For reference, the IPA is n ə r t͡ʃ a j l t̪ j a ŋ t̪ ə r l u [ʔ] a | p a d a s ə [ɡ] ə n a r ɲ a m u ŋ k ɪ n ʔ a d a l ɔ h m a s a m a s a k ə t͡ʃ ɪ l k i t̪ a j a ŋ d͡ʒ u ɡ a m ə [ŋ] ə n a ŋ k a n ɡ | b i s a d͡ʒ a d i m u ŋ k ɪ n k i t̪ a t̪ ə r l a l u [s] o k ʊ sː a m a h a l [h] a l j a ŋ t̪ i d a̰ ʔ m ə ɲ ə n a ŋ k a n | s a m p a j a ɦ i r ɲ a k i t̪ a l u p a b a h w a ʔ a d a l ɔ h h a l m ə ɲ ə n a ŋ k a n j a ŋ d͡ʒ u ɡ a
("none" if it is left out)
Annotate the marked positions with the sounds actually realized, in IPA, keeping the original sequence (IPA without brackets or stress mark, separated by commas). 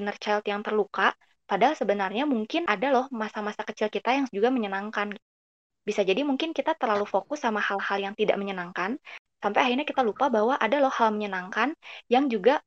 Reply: k, b, ɲ, f, h